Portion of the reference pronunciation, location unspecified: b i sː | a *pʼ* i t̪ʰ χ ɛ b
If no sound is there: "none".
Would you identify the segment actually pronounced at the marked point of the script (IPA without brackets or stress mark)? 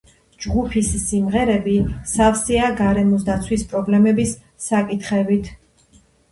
kʼ